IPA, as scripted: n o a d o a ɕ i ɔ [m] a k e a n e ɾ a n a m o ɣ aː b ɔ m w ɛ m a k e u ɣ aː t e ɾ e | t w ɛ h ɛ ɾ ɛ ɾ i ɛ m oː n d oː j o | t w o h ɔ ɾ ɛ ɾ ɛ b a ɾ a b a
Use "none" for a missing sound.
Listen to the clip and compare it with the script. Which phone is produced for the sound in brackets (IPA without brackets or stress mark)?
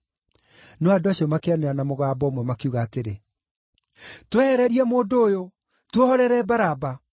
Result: m